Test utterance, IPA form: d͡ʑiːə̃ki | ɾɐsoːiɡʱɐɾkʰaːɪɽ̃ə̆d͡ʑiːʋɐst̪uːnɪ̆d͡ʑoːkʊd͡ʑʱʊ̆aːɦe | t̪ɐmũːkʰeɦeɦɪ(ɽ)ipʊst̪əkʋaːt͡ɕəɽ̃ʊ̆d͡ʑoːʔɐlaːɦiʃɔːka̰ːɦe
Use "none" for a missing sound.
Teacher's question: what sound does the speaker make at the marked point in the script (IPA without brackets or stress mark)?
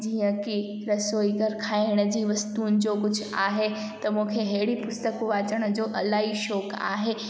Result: ɽ